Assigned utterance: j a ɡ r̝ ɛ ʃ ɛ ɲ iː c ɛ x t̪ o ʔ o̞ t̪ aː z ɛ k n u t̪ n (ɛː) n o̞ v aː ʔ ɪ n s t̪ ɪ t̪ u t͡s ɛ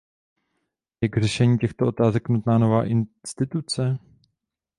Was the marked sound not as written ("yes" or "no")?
yes